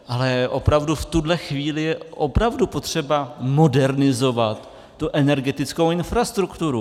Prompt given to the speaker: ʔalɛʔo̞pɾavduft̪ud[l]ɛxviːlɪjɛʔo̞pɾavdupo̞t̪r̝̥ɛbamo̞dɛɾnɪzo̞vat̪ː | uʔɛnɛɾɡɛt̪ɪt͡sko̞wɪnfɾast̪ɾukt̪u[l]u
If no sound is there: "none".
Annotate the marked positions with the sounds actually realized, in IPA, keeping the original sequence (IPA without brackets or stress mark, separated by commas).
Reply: l, ɾ